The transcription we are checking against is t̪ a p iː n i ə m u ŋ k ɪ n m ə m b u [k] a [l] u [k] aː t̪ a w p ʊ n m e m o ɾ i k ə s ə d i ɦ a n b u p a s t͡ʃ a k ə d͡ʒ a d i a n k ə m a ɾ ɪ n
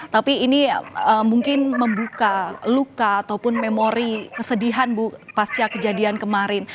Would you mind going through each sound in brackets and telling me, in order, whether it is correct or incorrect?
correct, correct, correct

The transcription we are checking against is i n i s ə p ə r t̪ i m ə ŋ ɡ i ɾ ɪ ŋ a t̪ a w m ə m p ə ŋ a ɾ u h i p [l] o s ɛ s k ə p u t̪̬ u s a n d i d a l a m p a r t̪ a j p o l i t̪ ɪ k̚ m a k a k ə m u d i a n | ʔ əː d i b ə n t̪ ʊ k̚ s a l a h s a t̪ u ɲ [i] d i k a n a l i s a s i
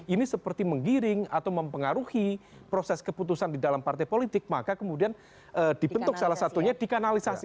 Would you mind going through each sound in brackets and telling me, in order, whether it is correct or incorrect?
incorrect: ɾ, incorrect: a

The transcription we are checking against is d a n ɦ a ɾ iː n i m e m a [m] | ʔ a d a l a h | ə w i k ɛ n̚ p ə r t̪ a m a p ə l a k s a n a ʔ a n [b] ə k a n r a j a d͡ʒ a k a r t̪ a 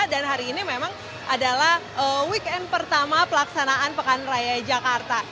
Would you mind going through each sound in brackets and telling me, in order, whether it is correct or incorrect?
incorrect: ŋ, incorrect: p

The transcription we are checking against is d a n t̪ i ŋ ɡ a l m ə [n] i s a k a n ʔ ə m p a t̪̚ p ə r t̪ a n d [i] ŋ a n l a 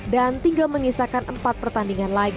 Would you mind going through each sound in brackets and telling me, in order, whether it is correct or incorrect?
incorrect: ŋ, correct

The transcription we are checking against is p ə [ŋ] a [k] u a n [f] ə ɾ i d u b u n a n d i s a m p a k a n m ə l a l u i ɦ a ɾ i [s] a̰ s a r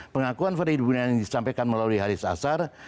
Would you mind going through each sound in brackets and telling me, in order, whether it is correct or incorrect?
correct, correct, correct, correct

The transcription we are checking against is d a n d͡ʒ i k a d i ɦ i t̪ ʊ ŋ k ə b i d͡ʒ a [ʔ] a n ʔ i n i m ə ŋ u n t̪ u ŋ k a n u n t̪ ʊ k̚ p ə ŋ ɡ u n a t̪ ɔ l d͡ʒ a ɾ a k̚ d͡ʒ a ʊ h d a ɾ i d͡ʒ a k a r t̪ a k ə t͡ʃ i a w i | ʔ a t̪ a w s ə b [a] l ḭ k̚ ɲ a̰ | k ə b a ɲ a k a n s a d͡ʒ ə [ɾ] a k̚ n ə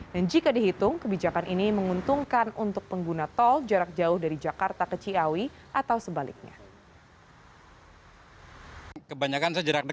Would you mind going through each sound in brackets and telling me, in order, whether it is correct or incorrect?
incorrect: k, correct, correct

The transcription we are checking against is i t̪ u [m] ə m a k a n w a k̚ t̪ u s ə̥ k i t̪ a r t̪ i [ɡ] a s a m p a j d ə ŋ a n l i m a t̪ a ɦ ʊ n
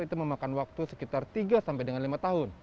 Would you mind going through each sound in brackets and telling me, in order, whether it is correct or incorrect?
correct, correct

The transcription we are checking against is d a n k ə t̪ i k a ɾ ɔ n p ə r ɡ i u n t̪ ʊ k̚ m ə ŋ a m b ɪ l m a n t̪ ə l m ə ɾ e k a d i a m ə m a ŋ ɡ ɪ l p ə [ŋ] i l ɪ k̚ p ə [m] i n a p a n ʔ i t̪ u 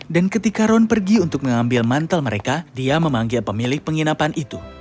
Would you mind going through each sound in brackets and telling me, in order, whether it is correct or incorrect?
incorrect: m, incorrect: ŋ

